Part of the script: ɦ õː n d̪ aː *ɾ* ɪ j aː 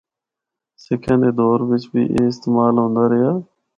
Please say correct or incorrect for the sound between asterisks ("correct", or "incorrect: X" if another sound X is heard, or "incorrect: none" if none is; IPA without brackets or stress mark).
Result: correct